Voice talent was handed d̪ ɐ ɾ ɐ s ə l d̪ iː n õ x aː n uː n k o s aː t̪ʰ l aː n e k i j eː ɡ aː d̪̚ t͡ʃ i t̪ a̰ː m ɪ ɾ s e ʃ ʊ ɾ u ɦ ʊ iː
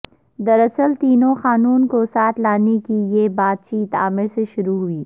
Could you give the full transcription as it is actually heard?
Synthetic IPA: d̪ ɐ ɾ ɐ s ə l t̪ iː n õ x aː n uː n k o s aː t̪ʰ l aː n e k i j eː b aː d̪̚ t͡ʃ iː t̪ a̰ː m ɪ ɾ s e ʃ ʊ ɾ u ɦ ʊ iː